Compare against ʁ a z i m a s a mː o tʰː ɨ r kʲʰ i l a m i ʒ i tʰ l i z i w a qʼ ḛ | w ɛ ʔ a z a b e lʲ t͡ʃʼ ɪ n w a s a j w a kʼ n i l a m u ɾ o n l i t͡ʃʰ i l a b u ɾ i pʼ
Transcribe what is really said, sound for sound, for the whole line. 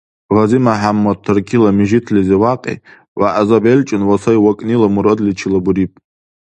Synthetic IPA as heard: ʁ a z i m a ħ a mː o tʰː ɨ r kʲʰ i l a m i ʒ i tʰ l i z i w a qʼ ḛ | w a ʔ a z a b e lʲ t͡ʃʼ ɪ n w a s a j w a kʼ n i l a m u ɾ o d l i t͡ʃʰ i l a b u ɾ i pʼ